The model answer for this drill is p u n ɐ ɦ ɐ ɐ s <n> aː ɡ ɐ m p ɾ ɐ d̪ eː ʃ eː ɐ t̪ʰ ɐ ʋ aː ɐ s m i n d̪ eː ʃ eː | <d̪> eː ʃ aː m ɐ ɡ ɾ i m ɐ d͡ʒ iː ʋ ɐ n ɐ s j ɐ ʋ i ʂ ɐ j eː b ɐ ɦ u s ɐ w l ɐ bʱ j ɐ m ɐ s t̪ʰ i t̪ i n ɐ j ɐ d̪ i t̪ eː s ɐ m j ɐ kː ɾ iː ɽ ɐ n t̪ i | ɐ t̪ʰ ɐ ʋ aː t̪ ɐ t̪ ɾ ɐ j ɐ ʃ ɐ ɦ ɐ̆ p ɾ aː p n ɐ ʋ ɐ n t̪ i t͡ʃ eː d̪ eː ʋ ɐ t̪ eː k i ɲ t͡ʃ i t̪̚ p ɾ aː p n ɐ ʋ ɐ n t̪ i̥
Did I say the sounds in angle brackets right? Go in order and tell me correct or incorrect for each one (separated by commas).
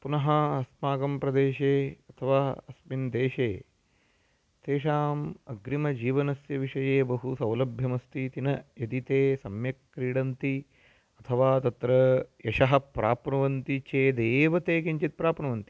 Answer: incorrect, incorrect